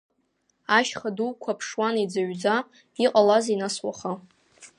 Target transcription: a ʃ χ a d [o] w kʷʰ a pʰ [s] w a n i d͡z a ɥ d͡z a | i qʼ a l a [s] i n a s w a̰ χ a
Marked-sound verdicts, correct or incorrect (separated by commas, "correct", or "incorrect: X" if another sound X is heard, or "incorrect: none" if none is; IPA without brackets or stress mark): incorrect: u, incorrect: ʂ, incorrect: z